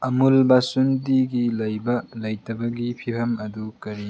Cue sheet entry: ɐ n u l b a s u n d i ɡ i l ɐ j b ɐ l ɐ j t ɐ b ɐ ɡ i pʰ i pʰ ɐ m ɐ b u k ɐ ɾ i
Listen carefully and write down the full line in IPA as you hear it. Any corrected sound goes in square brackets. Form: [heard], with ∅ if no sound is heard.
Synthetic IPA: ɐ [m] u l b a s u n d i ɡ i l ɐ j b ɐ l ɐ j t ɐ b ɐ ɡ i pʰ i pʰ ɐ m ɐ [d] u k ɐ ɾ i